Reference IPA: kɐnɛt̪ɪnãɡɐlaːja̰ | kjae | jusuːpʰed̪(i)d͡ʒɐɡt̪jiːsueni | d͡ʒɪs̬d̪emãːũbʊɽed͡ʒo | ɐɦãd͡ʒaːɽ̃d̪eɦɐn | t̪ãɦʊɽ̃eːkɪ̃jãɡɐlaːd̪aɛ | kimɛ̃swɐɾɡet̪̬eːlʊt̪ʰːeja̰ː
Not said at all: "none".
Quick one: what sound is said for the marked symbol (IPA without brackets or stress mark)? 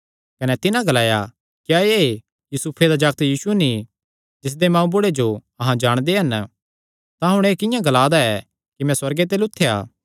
a